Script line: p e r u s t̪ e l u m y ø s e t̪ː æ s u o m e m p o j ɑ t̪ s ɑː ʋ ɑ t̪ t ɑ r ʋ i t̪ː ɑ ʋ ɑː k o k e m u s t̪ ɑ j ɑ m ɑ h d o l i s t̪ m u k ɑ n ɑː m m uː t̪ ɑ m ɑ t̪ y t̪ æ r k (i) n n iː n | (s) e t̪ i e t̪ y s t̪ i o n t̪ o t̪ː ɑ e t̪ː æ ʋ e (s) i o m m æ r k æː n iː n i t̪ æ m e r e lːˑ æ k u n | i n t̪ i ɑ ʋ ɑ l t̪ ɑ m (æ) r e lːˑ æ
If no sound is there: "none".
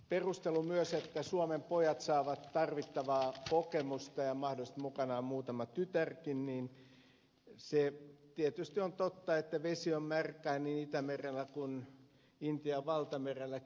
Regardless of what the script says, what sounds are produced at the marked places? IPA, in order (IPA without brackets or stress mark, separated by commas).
i, s, s, e